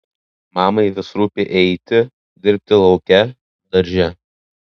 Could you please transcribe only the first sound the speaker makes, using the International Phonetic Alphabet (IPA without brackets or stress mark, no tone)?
m